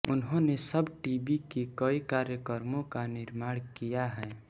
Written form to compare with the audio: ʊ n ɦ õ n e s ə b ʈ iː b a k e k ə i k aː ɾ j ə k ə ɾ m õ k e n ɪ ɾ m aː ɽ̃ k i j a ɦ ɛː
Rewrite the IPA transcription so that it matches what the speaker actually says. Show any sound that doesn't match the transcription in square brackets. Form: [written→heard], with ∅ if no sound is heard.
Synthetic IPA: ʊ n ɦ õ n e s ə b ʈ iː b [a→i] k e k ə i k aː ɾ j ə k ə ɾ m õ k [e→a] n ɪ ɾ m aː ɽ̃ k i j a ɦ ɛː

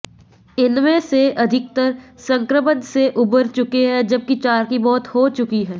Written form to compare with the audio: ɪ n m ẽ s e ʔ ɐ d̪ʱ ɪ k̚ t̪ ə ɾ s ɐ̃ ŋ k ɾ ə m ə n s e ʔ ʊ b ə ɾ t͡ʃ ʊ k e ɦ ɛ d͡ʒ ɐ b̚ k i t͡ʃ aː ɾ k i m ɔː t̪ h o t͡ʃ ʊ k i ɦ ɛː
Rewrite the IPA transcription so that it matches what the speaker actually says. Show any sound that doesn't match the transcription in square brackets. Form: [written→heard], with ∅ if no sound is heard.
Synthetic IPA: ɪ n m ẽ s e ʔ ɐ d̪ʱ ɪ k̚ t̪ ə ɾ s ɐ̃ ŋ k ɾ ə m ə n s e ʔ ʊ b ə ɾ t͡ʃ ʊ k e ɦ ɛ d͡ʒ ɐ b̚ k i t͡ʃ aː ɾ k i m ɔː t̪ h o t͡ʃ ʊ k i ɦ ɛː

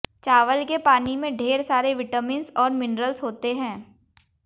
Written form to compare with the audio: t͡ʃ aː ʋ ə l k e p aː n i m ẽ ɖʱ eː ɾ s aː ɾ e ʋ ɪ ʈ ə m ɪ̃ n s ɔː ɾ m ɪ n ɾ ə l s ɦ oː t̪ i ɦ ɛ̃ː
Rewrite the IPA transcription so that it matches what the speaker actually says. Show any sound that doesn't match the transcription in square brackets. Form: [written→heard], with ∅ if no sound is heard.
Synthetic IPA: t͡ʃ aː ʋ ə l k e p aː n i m ẽ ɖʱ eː ɾ s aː ɾ e ʋ ɪ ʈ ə m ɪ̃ n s ɔː ɾ m ɪ n ɾ ə l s ɦ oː t̪ [i→e] ɦ ɛ̃ː

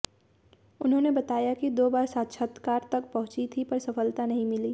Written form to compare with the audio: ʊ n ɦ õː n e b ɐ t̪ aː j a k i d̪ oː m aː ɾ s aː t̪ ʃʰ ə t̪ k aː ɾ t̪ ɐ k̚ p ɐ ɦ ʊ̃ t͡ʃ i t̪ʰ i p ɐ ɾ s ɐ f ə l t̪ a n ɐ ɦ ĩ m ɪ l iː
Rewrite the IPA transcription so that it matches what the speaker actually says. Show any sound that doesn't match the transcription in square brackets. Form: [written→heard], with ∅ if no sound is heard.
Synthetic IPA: ʊ n ɦ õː n e b ɐ t̪ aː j a k i d̪ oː [m→b] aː ɾ s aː t̪ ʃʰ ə t̪ k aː ɾ t̪ ɐ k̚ p ɐ ɦ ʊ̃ t͡ʃ i t̪ʰ i p ɐ ɾ s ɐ f ə l t̪ a n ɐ ɦ ĩ m ɪ l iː

